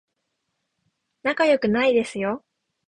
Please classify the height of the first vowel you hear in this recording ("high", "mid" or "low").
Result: low